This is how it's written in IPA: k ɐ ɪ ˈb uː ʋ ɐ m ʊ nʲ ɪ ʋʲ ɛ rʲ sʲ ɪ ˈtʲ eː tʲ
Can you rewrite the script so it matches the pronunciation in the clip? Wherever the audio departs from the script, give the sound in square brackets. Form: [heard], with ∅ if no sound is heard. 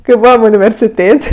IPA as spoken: k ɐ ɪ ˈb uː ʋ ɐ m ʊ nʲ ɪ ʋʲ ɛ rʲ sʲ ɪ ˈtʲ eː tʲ